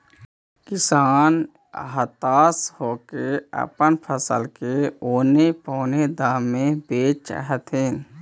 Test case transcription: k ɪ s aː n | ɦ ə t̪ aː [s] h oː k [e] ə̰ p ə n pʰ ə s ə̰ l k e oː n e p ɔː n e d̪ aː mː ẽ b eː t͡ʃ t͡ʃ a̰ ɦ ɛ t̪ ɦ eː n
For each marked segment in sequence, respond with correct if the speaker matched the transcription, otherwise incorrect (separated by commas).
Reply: correct, correct